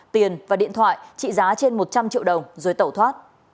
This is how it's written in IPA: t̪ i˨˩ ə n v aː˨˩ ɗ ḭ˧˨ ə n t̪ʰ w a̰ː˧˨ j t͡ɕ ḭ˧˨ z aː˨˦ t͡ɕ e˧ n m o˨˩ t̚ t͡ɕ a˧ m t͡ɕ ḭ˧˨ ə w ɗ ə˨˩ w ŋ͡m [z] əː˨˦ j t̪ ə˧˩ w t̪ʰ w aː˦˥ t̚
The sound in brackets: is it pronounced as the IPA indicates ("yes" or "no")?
yes